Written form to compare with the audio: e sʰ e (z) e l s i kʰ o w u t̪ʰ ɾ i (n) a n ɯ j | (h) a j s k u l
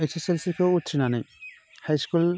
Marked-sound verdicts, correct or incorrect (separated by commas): incorrect, correct, correct